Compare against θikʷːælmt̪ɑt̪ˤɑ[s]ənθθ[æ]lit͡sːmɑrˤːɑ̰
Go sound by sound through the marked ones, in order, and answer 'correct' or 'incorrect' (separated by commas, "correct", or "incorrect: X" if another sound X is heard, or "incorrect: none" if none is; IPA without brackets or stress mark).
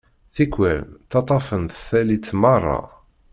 incorrect: f, correct